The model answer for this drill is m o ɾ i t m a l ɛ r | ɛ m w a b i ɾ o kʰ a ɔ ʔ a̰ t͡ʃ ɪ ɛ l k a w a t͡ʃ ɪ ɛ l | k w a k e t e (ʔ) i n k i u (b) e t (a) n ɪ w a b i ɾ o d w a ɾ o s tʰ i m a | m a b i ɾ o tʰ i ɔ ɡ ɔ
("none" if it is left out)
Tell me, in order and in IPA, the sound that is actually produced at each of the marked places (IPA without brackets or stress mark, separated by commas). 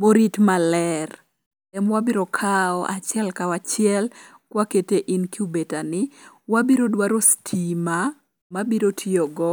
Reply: ʔ, b, a